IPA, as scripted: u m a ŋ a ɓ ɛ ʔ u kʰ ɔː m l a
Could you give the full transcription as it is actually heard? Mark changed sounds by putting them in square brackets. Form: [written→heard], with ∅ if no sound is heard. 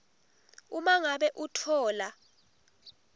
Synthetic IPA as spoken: u m a ŋ a ɓ ɛ ʔ u [kʰ→tʰ] ɔː [m→∅] l a

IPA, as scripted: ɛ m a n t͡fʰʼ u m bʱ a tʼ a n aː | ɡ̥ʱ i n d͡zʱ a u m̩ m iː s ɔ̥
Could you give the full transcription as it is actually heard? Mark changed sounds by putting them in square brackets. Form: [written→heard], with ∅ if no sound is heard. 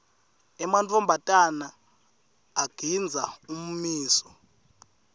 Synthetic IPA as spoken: ɛ m a n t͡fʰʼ [u→ɔ] m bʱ a tʼ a n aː | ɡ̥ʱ i n d͡zʱ a u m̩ m iː s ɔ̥

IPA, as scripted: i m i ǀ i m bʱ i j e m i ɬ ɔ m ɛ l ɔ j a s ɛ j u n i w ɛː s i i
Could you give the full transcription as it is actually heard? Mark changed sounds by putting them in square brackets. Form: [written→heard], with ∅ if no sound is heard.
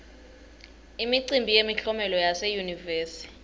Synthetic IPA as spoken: i m i ǀ i m bʱ i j e m i ɬ ɔ m ɛ l ɔ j a s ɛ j u n i [w→v] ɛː s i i

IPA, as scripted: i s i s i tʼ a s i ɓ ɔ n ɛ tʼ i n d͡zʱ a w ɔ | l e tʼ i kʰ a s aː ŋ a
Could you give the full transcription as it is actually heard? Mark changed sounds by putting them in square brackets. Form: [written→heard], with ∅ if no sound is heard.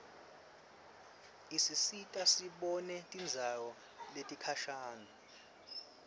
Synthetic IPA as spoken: i s i s i tʼ a s i ɓ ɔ n ɛ tʼ i n d͡zʱ a w ɔ | l e tʼ i kʰ a [s→ʃ] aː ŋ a

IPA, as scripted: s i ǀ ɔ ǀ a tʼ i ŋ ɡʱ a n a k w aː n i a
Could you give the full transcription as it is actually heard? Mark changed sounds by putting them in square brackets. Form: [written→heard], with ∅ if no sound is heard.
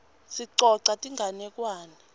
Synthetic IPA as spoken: s i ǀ ɔ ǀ a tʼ i ŋ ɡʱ a n [a→ɛ] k w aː n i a

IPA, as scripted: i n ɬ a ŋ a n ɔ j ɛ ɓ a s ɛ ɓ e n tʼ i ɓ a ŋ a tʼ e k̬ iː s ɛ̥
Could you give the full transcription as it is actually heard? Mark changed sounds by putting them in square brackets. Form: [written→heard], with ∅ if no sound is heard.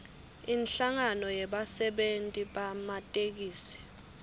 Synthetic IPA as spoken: i n ɬ a ŋ a n ɔ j ɛ ɓ a s ɛ ɓ e n tʼ i ɓ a [ŋ→m] a tʼ e k̬ iː s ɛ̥

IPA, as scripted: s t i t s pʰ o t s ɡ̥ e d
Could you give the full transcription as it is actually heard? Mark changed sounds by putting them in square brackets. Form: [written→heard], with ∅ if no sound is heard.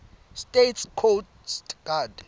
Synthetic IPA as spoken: s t [i→e] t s [pʰ→kʰ] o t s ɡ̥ [e→a] d

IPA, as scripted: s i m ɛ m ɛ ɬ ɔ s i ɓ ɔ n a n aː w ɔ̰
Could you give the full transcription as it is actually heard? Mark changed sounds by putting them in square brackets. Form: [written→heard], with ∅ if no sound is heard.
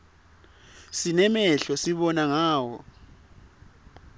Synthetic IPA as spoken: s i [m→n] ɛ m ɛ ɬ ɔ s i ɓ ɔ n a [n→ŋ] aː w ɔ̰

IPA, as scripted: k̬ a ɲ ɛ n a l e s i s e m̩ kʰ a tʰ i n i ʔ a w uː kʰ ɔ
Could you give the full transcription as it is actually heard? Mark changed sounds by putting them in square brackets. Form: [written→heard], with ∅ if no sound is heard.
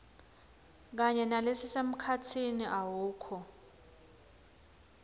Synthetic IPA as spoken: k̬ a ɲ ɛ n a l e s i s e m̩ kʰ a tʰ i n i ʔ a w uː kʰ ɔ

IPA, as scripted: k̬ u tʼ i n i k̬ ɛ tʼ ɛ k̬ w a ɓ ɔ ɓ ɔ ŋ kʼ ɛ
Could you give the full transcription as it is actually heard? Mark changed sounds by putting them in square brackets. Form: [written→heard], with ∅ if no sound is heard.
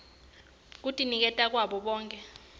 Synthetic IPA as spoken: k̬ u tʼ i n i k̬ ɛ tʼ [ɛ→a] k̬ w a ɓ ɔ ɓ [ɔ→ɔː] ŋ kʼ ɛ

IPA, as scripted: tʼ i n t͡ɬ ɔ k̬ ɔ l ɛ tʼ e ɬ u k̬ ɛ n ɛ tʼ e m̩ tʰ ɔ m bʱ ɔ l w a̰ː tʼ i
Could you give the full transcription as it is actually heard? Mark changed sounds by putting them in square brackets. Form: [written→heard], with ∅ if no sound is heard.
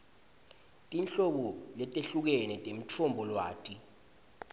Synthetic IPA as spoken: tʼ i n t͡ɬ ɔ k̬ ɔ l ɛ tʼ e ɬ u k̬ ɛ n ɛ tʼ e m̩ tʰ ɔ m bʱ ɔ l w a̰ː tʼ i

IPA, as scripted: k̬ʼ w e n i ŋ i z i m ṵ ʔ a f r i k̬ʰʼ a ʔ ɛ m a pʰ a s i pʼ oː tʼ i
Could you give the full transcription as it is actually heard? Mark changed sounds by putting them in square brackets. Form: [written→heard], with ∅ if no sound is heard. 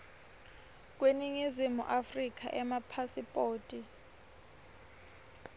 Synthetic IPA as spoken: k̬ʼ w e n i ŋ i z i m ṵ ʔ a f r i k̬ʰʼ a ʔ ɛ m a pʰ a s i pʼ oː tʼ i

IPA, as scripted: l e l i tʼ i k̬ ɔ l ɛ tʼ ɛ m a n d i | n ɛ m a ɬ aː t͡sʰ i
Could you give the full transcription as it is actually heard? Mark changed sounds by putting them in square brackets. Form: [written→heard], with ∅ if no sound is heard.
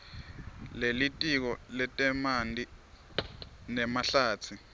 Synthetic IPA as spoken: l e l i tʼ i k̬ ɔ l ɛ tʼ ɛ m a n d i | n ɛ m a ɬ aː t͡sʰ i

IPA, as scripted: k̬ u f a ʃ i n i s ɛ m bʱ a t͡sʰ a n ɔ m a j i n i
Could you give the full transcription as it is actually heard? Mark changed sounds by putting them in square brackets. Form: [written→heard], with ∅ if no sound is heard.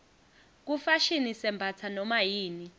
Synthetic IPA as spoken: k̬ u f a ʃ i n i s ɛ m bʱ a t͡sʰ a n ɔ m a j [i→iː] n i

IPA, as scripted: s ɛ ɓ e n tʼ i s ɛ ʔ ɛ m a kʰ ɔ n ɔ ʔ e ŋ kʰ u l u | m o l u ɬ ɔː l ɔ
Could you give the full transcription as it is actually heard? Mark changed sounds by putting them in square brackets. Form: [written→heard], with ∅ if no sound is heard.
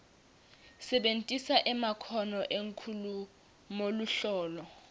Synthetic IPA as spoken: s ɛ ɓ e n tʼ i s [ɛ→a] ʔ ɛ m a kʰ ɔ n ɔ ʔ e ŋ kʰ u l u | m o l u ɬ ɔː l ɔ

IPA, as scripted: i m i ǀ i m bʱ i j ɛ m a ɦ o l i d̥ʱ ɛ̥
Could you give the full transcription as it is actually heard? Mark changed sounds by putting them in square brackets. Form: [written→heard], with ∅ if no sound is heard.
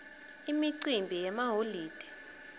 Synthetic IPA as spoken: i m i ǀ i m bʱ i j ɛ m a ɦ o l [i→iː] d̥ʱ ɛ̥

